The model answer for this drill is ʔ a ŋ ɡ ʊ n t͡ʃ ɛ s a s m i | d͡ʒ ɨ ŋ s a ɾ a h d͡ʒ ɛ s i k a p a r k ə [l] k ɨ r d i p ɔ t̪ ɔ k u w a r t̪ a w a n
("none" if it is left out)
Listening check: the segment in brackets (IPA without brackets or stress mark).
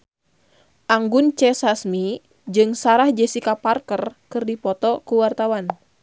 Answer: r